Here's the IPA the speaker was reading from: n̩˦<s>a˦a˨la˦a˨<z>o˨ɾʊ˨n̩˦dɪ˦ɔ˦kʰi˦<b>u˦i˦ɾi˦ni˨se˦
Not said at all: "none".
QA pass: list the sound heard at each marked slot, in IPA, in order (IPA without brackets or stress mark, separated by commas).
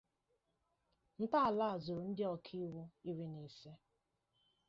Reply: t, z, w